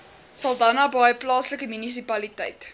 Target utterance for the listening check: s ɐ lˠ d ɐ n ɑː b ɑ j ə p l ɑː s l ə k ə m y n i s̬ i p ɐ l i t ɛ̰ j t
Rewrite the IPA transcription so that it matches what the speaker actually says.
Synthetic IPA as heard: s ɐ lˠ d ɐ n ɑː b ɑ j ə p l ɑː s l ə k ə m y n i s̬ i p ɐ l i t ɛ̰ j t